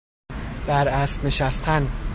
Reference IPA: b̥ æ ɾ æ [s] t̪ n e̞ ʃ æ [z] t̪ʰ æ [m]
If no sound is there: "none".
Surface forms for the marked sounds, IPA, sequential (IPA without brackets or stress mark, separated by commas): s, s, n